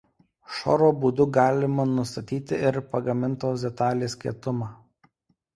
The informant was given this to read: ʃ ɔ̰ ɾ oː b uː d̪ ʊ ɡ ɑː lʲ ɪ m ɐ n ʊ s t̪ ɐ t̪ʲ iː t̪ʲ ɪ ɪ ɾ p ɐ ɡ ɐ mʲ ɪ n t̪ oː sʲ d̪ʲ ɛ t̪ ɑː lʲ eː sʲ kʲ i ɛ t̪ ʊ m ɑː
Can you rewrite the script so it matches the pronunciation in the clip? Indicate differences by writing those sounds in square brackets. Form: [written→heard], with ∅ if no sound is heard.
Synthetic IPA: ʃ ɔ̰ ɾ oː b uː d̪ ʊ ɡ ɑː lʲ ɪ m ɐ n ʊ s t̪ ɐ t̪ʲ iː t̪ʲ ɪ ɪ ɾ p ɐ ɡ ɐ mʲ ɪ n t̪ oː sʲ d̪ʲ ɛ t̪ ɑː lʲ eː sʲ kʲ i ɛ t̪ ʊ m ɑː